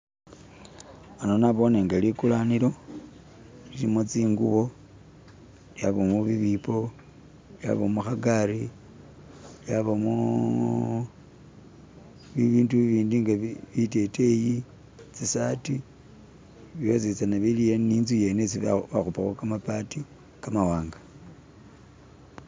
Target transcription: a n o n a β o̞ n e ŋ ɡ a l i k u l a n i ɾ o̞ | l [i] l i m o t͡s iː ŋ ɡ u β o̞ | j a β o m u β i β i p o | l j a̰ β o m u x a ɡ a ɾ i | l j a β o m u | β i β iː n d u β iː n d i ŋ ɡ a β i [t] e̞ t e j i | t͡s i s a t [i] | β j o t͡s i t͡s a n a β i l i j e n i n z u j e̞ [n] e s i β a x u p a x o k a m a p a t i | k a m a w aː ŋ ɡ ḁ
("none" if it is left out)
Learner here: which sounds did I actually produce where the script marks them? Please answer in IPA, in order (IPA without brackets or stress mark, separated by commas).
i, t, i, n